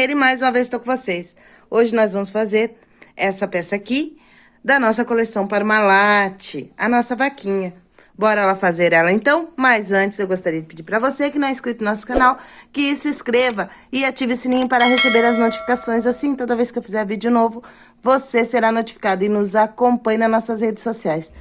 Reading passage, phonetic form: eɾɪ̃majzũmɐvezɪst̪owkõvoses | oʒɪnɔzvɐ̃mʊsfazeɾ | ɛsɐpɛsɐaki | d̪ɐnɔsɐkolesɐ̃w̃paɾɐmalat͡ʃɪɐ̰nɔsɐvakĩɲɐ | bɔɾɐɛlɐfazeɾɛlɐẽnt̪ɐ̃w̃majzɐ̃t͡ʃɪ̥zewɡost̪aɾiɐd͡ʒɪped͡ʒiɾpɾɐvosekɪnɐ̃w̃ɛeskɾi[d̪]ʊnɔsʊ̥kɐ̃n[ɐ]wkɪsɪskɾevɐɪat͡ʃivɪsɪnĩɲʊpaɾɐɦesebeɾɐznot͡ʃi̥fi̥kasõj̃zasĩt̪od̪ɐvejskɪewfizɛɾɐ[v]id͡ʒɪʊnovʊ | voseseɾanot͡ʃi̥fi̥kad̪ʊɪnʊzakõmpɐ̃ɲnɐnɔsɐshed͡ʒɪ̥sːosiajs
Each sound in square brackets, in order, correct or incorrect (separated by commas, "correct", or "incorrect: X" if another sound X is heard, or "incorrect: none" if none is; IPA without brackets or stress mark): incorrect: t̪, incorrect: a, correct